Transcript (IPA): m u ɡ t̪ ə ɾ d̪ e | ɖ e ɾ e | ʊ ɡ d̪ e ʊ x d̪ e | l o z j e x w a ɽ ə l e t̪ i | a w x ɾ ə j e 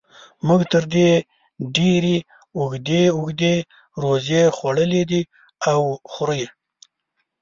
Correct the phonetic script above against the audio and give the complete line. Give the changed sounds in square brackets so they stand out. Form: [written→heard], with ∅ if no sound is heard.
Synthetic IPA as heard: m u ɡ t̪ ə ɾ d̪ e | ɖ e ɾ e | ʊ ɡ d̪ e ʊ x d̪ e | [l→ɾ] o z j e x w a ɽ ə l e [t̪→d̪] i | a w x ɾ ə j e